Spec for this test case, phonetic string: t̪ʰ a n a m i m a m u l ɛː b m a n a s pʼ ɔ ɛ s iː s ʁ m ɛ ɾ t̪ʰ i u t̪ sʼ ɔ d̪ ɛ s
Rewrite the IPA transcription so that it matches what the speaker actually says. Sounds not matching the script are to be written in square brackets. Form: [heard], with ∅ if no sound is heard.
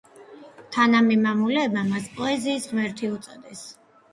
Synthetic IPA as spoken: t̪ʰ a n a m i m a m u l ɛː b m a [m] a s pʼ ɔ ɛ [z] iː s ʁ m ɛ ɾ t̪ʰ i u t̪ sʼ ɔ d̪ ɛ s